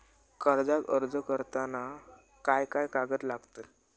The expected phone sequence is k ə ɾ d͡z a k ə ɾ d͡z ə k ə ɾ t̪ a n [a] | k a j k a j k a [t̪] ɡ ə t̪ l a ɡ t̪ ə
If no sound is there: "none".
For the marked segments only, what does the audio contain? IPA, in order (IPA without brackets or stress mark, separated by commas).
a, none